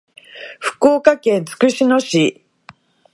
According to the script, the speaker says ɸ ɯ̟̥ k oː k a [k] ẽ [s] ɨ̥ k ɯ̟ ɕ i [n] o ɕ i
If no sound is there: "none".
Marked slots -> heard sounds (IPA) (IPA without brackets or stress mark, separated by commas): k, t͡s, n